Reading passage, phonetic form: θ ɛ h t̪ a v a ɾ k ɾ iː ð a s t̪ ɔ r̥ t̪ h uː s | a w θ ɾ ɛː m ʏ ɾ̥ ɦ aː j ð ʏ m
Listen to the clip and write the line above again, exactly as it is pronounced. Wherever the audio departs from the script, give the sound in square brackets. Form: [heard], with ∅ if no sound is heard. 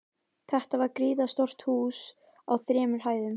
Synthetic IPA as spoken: θ ɛ h t̪ a v a ɾ k ɾ iː ð a s t̪ ɔ r̥ t̪ h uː s | a w θ ɾ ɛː m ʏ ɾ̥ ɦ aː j ð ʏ m